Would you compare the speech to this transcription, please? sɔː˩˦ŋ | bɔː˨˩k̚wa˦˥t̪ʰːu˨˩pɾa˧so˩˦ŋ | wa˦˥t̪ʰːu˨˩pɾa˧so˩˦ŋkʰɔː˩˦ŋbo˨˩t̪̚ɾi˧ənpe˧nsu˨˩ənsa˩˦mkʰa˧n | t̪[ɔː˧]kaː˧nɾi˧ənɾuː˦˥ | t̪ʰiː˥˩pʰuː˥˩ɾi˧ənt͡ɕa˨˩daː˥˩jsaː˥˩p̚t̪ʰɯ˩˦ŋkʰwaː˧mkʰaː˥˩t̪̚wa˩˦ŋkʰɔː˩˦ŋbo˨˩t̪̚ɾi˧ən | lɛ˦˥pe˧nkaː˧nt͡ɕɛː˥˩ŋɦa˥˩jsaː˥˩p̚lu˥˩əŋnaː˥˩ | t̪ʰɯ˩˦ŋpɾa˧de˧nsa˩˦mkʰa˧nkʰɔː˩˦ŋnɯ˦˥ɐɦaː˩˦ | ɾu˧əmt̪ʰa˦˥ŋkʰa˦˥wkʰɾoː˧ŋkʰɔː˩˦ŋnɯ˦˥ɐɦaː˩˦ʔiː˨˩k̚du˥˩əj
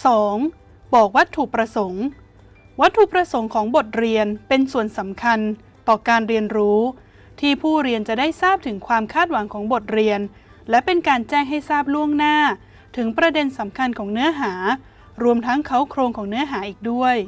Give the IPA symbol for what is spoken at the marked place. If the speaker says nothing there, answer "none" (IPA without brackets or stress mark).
ɔː˨˩